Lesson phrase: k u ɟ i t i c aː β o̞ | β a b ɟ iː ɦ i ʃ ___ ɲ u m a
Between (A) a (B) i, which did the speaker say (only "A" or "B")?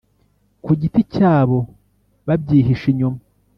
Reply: B